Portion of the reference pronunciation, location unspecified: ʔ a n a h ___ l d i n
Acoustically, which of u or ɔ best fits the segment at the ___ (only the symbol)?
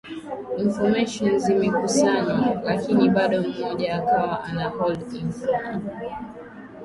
ɔ